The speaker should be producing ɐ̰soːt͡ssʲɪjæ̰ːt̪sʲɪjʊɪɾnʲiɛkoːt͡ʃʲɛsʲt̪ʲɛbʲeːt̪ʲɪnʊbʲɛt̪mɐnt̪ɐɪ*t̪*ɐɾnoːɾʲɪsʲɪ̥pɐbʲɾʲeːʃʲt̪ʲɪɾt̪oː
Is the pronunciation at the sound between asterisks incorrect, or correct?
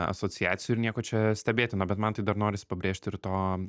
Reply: incorrect